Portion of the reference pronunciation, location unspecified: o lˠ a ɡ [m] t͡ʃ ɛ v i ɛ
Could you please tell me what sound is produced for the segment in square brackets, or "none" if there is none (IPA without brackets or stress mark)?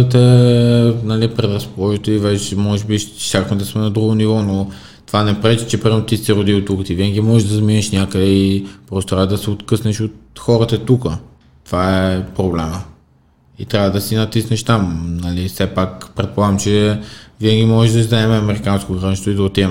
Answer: m